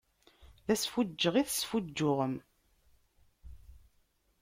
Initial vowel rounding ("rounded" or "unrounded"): unrounded